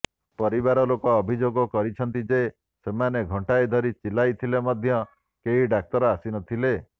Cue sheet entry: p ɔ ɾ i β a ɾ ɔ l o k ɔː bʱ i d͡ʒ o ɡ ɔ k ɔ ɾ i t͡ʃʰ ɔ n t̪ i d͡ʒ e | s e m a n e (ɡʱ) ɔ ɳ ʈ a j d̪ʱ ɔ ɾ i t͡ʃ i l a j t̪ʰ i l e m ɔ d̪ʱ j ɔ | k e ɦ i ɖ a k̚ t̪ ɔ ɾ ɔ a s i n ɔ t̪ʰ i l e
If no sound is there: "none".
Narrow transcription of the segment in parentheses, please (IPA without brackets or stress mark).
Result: ɡʱ